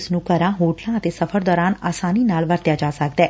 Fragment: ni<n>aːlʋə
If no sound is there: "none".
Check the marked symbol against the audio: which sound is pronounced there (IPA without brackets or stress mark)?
n